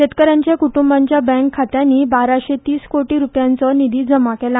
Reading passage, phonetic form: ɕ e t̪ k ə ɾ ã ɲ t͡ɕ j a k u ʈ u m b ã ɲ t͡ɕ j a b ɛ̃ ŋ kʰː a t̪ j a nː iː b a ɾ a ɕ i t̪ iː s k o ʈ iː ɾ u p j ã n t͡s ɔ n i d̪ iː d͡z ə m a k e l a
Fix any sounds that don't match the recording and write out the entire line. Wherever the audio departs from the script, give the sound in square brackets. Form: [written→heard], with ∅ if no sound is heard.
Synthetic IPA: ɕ e t̪ k ə ɾ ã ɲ t͡ɕ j a k u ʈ u m b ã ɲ t͡ɕ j a b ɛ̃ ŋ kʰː a t̪ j a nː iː b a ɾ a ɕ [i→e] t̪ iː s k o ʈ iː ɾ u p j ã n t͡s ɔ n i d̪ iː d͡z ə m a k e l a